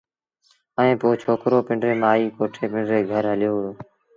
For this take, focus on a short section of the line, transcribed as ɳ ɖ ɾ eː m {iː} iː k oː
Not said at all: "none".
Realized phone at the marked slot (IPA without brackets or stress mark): aː